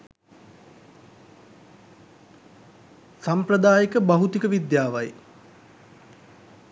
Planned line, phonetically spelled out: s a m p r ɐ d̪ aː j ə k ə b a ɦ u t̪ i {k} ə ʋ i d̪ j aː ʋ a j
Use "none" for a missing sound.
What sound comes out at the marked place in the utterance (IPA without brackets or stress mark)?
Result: k